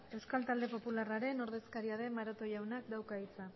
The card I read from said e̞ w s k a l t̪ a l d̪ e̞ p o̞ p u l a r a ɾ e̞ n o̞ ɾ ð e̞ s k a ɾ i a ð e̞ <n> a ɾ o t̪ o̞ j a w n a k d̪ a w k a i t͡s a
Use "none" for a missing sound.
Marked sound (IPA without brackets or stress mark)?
m